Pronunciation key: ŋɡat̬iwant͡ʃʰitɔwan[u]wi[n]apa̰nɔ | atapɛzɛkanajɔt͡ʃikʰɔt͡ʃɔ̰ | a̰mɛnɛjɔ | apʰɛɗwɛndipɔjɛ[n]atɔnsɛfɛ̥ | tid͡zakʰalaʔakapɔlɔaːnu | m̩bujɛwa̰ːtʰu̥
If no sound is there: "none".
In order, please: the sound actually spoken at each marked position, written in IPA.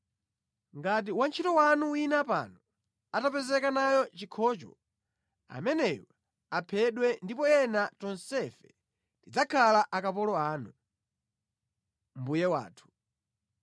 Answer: u, n, n

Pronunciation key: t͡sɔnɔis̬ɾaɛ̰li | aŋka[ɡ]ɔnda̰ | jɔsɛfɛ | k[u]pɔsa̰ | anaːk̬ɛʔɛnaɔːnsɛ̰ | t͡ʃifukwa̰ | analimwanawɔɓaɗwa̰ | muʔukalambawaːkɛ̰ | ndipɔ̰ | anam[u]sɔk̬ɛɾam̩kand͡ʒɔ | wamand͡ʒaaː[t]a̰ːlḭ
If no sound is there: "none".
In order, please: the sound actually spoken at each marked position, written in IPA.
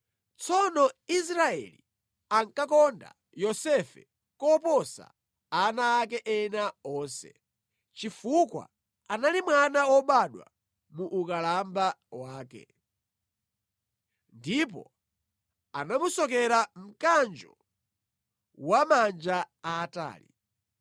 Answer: k, ɔ, u, t

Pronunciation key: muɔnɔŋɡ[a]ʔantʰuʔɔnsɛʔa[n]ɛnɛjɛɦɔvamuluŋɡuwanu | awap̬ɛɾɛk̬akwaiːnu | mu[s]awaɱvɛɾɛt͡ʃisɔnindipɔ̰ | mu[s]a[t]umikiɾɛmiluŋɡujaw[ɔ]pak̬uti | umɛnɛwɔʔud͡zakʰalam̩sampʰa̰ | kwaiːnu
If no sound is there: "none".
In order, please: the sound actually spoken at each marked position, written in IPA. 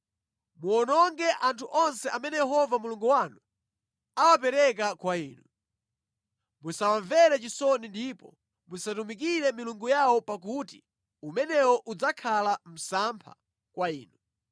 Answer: ɛ, m, s, s, t, ɔ

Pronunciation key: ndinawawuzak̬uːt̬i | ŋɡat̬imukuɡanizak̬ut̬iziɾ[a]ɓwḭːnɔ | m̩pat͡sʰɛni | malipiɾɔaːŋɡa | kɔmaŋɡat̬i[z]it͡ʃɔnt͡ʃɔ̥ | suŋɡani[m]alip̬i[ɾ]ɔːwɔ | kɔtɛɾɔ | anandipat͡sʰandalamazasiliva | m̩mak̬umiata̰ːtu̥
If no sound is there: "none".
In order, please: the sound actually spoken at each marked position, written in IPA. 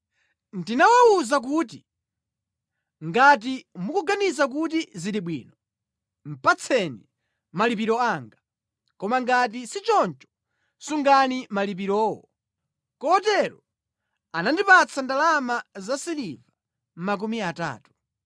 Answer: i, s, m, ɾ

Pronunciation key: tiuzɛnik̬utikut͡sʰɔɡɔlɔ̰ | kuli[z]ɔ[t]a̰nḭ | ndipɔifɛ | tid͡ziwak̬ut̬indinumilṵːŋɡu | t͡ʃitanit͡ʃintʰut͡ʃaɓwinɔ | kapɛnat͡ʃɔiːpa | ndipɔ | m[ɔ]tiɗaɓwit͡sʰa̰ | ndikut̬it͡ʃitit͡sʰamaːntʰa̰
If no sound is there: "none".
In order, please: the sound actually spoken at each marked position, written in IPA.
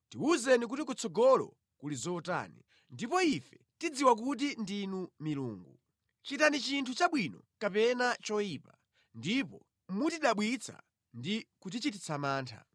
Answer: z, t, u

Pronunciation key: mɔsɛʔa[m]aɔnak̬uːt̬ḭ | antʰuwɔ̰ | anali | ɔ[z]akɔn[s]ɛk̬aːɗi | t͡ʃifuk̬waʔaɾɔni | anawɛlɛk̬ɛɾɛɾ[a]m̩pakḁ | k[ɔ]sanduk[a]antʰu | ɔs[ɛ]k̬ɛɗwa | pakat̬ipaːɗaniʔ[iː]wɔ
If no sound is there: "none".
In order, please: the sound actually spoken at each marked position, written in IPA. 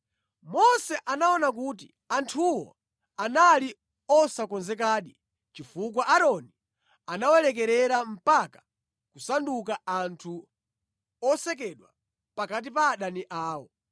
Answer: n, s, z, a, u, a, ɛ, aː

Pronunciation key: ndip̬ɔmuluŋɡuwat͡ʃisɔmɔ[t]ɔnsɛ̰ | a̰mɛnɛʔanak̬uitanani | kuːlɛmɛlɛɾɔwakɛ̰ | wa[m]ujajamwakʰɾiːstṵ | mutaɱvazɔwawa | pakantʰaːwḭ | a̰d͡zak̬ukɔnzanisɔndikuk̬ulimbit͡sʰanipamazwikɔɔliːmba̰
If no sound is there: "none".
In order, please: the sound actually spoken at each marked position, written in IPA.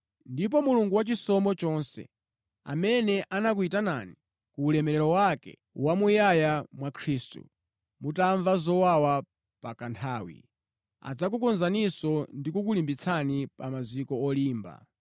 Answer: t͡ʃ, m

